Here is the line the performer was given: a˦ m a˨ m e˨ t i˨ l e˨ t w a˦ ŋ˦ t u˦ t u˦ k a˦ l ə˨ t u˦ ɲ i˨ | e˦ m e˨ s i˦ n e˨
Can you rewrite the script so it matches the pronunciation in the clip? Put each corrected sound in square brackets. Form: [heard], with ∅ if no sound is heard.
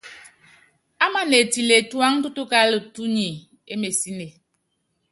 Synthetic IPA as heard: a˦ m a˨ [n] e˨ t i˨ l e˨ t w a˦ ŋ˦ t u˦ t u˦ k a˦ l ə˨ t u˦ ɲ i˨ | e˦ m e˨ s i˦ n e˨